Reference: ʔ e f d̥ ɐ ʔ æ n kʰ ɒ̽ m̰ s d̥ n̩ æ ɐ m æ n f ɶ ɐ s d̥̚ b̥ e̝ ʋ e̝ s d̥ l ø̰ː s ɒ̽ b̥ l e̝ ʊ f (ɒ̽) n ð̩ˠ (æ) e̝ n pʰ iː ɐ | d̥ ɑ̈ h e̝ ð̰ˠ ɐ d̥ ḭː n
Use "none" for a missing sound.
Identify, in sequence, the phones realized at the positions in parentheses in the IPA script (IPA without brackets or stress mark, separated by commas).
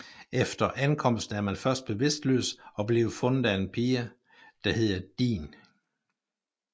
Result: ɔ̽, æ